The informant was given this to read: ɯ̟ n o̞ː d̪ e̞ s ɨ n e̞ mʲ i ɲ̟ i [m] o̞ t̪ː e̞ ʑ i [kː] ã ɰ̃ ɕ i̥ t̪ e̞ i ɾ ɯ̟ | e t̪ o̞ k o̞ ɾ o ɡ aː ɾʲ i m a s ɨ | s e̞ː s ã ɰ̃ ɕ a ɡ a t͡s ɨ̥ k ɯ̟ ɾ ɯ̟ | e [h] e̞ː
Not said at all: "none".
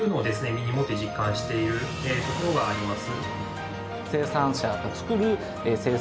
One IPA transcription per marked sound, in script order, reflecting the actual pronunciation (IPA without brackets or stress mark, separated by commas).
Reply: m, kː, s